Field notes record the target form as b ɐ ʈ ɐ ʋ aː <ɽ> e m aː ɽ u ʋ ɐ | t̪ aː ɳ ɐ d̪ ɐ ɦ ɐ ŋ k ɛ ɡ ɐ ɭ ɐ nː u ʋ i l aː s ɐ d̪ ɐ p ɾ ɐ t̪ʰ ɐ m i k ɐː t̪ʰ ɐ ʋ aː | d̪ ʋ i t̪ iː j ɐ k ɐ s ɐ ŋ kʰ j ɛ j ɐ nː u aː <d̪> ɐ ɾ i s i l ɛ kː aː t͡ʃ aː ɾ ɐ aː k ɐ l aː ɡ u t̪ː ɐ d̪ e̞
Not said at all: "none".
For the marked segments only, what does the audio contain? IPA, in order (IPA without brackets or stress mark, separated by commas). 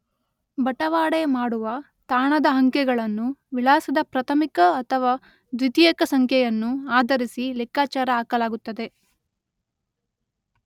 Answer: ɽ, d̪